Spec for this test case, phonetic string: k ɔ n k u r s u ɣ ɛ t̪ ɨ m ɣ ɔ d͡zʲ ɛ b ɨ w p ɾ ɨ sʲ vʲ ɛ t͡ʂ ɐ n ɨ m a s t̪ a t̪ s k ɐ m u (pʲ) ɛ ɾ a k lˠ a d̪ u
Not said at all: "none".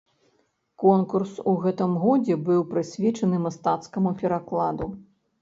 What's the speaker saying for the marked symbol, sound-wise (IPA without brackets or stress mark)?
pʲ